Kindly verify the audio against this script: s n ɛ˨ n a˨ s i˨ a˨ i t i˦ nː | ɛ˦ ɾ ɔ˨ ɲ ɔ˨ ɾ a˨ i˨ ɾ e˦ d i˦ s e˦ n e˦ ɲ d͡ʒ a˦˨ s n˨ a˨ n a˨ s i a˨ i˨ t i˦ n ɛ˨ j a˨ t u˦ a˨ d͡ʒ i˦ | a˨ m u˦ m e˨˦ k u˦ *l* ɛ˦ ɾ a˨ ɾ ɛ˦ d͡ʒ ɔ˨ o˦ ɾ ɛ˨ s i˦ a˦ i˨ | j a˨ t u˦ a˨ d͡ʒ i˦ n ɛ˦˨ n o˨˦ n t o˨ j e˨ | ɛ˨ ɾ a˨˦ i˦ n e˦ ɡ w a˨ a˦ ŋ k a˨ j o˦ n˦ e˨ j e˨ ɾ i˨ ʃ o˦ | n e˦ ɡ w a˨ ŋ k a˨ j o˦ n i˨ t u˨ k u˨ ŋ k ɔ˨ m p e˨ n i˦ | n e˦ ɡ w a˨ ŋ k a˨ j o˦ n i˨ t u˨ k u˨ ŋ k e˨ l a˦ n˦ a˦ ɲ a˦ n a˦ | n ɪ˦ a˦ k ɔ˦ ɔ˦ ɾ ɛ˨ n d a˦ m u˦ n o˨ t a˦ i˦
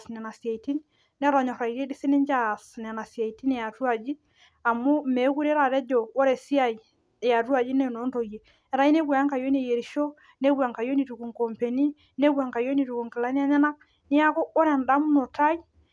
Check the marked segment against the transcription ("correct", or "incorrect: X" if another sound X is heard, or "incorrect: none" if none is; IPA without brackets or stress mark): incorrect: ɾ